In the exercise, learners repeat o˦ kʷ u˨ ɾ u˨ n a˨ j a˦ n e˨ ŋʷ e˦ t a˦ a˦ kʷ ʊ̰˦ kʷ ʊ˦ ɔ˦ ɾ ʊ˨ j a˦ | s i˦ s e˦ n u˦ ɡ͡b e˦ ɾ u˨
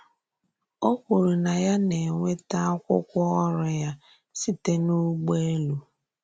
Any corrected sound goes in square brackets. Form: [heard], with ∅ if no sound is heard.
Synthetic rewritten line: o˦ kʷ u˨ ɾ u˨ n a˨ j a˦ n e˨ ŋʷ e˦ t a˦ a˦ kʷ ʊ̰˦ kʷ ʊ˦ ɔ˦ ɾ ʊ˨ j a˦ | s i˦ [t] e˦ n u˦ ɡ͡b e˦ [l] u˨

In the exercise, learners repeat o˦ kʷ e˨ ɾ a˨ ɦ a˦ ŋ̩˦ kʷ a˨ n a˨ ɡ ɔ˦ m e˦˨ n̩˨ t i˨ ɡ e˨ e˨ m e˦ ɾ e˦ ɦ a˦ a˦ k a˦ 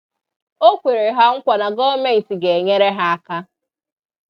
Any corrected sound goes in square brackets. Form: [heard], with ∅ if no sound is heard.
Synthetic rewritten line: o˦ kʷ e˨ ɾ [e˨] ɦ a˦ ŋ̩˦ kʷ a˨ n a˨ ɡ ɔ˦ m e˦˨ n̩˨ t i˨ ɡ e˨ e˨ [ɲ] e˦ ɾ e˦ ɦ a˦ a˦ k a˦

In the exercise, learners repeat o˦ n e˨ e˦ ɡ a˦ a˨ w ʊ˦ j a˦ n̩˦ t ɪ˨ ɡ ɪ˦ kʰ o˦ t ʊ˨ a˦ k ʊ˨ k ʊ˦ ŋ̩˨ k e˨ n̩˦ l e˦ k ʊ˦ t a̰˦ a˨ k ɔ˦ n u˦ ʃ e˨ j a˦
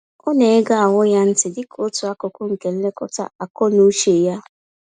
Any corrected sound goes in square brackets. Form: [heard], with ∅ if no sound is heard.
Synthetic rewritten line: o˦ n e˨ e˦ ɡ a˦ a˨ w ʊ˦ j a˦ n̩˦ t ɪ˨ [d] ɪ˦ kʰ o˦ t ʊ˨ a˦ k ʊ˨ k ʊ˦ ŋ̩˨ k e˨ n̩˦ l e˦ k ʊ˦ t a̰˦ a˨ k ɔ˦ n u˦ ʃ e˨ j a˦

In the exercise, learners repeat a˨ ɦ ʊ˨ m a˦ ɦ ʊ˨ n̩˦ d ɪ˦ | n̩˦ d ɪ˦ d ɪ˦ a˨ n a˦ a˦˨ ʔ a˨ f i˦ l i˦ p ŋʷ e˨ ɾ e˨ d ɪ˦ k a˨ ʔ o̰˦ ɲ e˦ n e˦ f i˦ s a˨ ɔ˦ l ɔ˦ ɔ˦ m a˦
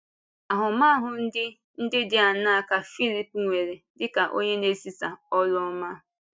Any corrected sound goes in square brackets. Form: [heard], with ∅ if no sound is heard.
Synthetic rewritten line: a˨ ɦ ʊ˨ m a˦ ɦ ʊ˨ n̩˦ d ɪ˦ | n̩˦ d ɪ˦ d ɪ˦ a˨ n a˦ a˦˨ [k] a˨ f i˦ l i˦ p ŋʷ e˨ ɾ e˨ d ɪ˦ k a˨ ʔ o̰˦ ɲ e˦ n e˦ [s] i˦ s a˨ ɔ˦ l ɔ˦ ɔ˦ m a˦

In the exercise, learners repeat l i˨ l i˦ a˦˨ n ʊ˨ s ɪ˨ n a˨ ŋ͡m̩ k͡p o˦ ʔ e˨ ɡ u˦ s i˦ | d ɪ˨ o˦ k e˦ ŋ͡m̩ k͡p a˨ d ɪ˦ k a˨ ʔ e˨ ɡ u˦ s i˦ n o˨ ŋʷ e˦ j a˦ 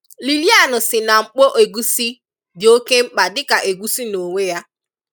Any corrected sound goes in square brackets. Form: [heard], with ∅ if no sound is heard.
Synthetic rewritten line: l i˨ l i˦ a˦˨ n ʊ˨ s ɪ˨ n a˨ ŋ͡m̩ k͡p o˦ ʔ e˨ ɡ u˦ s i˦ | d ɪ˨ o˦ k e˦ ŋ͡m̩ k͡p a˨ d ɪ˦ k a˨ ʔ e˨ ɡ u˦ s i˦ n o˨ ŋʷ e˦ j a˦

